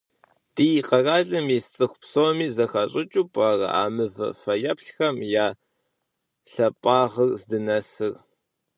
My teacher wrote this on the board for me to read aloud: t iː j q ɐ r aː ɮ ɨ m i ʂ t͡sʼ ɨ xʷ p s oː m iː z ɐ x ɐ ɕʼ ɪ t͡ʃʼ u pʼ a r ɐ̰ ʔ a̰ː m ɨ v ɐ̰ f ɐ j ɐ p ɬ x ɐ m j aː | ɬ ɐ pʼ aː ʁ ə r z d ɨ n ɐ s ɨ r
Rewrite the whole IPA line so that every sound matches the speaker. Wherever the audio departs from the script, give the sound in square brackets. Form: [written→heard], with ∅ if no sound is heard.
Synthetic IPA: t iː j q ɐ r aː ɮ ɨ m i [ʂ→s] t͡sʼ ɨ xʷ p s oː m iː z ɐ x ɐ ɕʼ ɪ t͡ʃʼ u pʼ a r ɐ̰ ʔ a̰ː m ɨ v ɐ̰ f ɐ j ɐ p ɬ x ɐ m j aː | ɬ ɐ pʼ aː ʁ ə r z d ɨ n ɐ s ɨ r

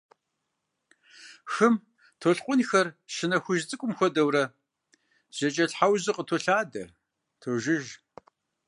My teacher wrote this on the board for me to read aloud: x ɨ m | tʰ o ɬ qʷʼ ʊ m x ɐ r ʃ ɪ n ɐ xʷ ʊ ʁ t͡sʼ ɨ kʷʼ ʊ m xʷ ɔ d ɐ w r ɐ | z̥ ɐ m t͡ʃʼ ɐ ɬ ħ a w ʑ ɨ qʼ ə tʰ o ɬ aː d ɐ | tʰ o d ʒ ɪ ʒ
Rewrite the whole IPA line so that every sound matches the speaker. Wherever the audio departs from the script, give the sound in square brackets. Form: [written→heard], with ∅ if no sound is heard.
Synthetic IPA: x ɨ m | tʰ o ɬ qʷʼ ʊ [m→n] x ɐ r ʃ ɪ n ɐ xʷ ʊ [ʁ→ʒ] t͡sʼ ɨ kʷʼ ʊ m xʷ ɔ d ɐ w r ɐ | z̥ ɐ [m→∅] t͡ʃʼ ɐ ɬ ħ a w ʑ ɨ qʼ ə tʰ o ɬ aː d ɐ | tʰ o [d→∅] ʒ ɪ ʒ

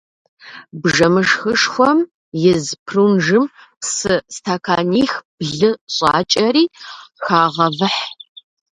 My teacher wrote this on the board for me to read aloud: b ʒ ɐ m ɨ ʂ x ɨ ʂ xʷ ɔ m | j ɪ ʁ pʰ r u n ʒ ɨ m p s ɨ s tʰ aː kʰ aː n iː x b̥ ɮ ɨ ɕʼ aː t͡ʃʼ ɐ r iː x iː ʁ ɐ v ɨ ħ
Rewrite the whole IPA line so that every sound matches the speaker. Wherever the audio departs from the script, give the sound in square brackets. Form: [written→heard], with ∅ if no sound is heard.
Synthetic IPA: b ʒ ɐ m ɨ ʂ x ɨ ʂ xʷ ɔ m | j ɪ [ʁ→z] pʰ r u n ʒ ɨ m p s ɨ s tʰ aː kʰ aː n iː x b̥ ɮ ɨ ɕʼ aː t͡ʃʼ ɐ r iː x [iː→aː] ʁ ɐ v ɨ ħ

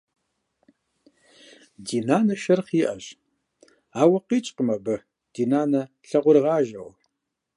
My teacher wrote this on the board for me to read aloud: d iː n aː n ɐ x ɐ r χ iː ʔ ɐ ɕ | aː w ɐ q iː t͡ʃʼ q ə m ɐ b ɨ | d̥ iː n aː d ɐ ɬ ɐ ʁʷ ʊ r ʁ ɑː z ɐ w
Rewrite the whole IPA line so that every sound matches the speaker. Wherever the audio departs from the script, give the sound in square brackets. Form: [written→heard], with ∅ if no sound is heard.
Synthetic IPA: d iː n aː n ɐ [x→ʃ] ɐ r χ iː ʔ ɐ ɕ | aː w ɐ q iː t͡ʃʼ q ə m ɐ b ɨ | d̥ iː n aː [d→n] ɐ ɬ ɐ ʁʷ ʊ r ʁ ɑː [z→ʒ] ɐ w

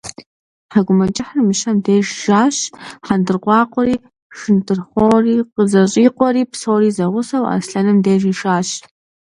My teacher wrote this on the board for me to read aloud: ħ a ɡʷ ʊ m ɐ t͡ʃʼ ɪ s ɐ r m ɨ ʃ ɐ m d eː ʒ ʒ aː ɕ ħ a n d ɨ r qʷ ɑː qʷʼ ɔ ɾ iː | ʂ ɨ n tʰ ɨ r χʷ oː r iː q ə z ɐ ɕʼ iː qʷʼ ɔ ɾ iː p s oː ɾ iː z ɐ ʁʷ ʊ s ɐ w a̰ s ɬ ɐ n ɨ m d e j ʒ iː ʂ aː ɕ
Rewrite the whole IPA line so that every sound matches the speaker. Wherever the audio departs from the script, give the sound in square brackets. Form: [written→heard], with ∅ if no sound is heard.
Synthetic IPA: ħ a ɡʷ ʊ m ɐ t͡ʃʼ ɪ [s→ħ] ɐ r m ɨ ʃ ɐ m d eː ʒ ʒ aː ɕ ħ a n d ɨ r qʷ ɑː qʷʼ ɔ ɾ iː | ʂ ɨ n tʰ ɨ r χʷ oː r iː q ə z ɐ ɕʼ iː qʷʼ ɔ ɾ iː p s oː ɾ iː z ɐ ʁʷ ʊ s ɐ w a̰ s ɬ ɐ n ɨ m d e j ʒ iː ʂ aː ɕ

